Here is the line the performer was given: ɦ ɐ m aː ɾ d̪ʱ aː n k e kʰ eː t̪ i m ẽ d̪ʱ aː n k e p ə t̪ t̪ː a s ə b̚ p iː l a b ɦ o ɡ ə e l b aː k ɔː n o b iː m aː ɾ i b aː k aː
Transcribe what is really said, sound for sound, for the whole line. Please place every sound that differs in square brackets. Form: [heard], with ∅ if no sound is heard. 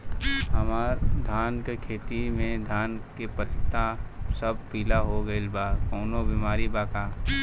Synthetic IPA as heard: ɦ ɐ m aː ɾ d̪ʱ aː n k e kʰ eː t̪ i m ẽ d̪ʱ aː n k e p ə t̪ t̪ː a s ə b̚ p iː l a [∅] ɦ o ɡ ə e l b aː k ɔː n o b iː m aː ɾ i b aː k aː